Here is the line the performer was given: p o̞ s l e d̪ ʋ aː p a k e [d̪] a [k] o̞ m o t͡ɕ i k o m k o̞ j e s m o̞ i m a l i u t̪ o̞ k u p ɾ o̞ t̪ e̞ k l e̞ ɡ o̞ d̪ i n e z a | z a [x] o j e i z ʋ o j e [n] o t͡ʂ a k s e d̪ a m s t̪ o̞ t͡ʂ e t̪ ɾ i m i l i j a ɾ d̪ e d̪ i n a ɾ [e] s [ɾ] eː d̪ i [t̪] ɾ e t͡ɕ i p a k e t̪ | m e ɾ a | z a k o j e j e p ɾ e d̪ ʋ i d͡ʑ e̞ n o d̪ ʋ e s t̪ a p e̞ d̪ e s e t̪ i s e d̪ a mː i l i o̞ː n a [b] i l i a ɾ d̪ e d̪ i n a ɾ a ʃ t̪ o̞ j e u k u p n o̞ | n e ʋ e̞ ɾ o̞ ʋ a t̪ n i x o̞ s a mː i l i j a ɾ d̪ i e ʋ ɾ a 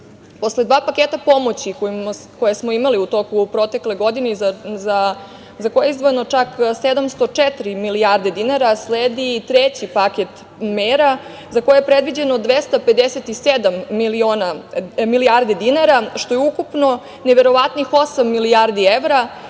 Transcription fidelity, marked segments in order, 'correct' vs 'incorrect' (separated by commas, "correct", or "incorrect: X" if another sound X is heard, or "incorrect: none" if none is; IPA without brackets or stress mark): incorrect: t̪, incorrect: p, incorrect: k, correct, incorrect: a, incorrect: l, correct, incorrect: m